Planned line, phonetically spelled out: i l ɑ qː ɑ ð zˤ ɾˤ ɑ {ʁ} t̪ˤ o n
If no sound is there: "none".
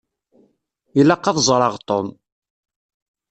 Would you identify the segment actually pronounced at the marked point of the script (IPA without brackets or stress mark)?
ʁ